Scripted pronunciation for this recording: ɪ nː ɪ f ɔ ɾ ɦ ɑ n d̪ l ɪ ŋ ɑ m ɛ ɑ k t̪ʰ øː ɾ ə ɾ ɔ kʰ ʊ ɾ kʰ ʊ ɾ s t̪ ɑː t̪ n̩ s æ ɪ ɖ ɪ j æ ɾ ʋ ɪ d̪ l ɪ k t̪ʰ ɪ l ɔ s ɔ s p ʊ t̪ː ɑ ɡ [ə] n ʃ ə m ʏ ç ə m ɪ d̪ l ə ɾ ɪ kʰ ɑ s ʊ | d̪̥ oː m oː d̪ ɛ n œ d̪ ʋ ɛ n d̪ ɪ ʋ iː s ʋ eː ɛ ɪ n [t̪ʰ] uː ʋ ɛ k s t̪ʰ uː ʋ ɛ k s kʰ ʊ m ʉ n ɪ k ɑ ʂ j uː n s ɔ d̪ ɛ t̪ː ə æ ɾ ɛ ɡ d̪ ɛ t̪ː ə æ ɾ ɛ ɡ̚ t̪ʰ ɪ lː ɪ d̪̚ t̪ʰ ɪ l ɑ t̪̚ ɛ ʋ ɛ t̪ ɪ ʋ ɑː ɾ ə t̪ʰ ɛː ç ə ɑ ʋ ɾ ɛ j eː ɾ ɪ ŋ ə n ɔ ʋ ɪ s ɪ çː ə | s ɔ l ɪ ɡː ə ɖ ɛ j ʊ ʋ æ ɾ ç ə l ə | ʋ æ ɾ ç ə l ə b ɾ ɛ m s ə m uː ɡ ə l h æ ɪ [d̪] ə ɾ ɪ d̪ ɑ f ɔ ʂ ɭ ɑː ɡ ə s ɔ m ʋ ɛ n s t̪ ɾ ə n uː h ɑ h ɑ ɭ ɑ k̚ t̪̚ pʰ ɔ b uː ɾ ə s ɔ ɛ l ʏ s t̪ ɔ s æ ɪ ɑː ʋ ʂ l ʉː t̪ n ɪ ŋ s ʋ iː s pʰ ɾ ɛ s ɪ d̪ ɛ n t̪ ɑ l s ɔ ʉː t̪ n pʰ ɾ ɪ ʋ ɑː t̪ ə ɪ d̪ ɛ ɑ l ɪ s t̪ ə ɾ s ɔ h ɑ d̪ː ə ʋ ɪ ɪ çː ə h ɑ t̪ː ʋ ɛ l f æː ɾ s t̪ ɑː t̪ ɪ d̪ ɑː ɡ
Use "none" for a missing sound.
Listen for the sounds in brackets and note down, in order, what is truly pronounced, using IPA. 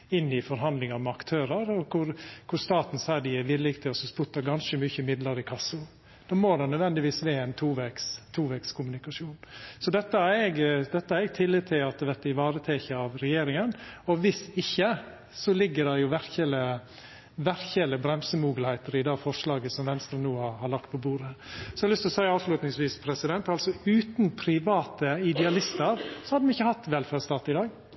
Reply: ɑ, t̪ʰ, t̪

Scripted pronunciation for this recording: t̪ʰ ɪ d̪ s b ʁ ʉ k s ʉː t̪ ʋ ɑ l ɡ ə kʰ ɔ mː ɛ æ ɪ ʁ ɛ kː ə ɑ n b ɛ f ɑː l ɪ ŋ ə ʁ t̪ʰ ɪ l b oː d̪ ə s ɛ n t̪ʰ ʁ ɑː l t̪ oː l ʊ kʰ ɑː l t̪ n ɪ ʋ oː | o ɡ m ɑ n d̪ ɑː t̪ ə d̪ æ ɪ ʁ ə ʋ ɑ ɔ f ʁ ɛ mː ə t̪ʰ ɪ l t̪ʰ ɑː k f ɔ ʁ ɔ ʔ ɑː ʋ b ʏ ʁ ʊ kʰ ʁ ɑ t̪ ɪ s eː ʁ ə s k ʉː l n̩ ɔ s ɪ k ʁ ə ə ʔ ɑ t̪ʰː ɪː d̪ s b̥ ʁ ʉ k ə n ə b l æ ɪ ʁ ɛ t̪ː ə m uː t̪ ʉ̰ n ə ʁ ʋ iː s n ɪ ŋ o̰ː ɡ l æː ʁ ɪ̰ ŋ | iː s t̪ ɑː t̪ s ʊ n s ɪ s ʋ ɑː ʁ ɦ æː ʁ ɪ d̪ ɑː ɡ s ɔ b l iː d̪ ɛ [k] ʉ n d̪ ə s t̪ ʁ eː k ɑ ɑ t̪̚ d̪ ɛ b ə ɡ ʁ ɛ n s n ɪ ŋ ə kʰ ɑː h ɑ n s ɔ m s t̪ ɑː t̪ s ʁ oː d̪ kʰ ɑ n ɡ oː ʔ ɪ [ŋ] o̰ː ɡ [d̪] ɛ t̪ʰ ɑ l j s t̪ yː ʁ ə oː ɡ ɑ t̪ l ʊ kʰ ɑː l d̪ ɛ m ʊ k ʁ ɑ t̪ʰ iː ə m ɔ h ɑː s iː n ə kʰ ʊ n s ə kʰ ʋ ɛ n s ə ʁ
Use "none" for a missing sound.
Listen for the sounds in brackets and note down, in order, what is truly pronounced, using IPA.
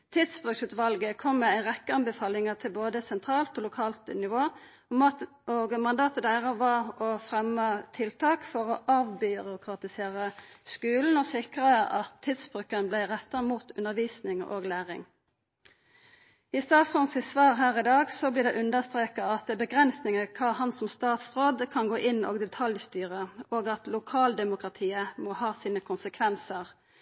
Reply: ʔ, n, d̪

